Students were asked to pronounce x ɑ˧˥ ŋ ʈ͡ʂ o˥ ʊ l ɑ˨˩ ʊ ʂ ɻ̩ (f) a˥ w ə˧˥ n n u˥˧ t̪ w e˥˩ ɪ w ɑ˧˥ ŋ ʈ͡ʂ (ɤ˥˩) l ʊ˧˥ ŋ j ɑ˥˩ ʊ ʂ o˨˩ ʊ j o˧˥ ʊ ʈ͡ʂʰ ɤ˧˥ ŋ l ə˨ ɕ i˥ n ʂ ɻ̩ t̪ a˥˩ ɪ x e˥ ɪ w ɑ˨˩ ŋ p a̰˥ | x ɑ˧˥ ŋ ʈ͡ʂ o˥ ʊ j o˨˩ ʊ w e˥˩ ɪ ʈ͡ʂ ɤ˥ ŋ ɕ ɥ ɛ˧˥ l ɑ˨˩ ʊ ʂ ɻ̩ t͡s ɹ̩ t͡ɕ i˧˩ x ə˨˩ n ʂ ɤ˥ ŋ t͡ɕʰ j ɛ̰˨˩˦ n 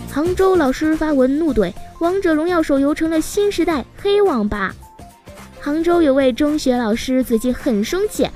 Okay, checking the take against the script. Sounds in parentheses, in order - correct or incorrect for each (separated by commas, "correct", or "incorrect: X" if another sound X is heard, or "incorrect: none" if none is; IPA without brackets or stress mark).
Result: correct, incorrect: ɤ˨˩